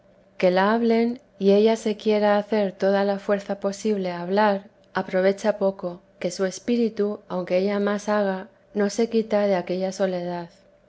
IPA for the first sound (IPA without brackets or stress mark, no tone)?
k